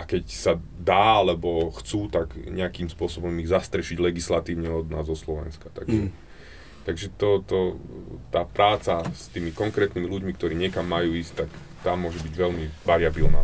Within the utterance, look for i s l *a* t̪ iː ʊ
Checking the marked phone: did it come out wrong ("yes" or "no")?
no